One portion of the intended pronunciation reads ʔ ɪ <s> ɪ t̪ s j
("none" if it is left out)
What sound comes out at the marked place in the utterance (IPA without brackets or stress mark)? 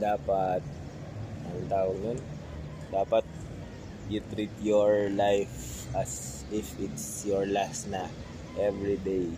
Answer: f